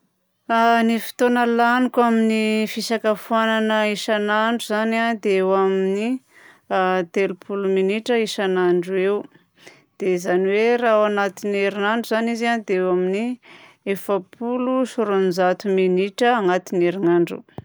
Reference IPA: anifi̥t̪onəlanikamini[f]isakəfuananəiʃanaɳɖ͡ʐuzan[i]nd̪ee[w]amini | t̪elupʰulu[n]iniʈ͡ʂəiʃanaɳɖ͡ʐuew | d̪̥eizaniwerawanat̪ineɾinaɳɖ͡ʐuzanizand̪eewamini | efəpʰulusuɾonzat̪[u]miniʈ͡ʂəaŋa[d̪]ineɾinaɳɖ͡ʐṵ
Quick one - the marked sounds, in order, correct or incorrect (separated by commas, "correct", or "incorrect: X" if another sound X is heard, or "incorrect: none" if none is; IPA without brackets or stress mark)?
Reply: correct, incorrect: a, correct, incorrect: m, correct, incorrect: t̪